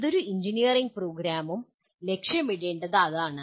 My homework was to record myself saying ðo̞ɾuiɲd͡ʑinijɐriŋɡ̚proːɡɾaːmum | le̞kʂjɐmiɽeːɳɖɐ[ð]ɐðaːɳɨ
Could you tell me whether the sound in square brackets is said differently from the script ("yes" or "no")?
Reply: no